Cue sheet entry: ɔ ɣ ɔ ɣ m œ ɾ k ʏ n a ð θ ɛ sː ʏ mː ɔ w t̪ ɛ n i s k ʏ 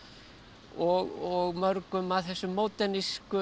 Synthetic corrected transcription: ɔ ɣ ɔ ɣ m œ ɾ k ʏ m a ð θ ɛ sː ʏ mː o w t̪ ɛ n i s k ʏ